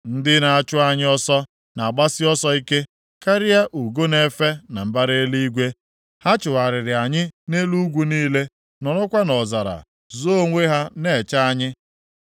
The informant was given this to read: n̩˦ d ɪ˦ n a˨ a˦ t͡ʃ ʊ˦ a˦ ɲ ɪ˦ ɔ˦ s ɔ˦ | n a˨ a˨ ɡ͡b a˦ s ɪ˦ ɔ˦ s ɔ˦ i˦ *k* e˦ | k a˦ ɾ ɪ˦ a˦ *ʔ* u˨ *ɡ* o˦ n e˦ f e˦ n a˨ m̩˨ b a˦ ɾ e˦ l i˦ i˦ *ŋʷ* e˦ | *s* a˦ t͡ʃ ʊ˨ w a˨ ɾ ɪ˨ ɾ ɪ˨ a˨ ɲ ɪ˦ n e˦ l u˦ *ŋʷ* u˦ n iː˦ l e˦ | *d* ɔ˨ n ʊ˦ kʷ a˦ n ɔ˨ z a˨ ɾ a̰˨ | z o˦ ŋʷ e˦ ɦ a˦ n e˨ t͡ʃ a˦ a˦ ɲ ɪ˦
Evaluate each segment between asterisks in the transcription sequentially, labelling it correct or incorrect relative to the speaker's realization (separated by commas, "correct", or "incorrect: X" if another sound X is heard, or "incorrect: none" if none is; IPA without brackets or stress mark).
correct, correct, correct, incorrect: ɡʷ, incorrect: h, incorrect: ɡʷ, incorrect: n